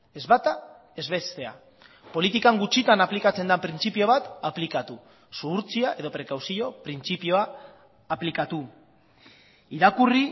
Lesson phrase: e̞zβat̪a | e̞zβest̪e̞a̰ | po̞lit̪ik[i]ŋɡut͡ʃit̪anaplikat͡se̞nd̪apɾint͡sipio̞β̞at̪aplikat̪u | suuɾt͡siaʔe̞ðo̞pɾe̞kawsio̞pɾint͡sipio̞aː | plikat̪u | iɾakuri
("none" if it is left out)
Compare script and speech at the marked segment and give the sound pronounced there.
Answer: a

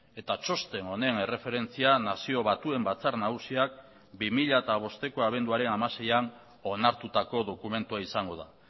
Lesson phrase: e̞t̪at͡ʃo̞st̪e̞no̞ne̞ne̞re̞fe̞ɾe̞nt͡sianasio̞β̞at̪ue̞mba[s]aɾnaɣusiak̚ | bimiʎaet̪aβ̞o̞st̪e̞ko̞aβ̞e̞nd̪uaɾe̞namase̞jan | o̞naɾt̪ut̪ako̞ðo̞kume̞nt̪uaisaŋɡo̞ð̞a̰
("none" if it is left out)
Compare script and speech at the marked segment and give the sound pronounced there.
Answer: t͡s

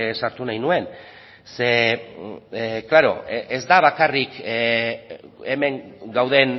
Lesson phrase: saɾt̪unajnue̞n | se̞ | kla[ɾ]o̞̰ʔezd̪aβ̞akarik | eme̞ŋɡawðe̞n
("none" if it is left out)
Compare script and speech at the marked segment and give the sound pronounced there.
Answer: ɾ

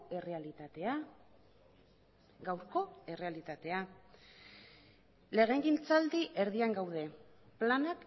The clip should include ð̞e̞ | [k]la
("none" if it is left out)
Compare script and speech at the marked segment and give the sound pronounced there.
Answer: p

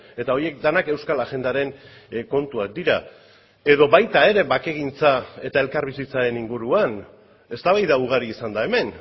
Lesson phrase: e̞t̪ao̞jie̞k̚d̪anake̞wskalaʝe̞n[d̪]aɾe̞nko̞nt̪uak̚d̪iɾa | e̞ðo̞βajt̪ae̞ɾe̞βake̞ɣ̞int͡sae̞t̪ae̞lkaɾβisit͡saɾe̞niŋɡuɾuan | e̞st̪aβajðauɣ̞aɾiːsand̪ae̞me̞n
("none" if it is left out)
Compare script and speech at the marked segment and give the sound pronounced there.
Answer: d̪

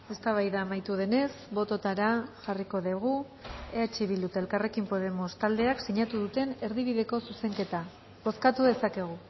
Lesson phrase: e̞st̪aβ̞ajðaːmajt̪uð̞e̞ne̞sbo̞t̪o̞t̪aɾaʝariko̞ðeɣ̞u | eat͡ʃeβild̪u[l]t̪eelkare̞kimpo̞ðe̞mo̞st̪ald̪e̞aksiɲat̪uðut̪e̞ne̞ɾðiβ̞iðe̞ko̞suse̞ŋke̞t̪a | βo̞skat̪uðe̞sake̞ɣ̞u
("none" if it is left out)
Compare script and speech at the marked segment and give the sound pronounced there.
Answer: none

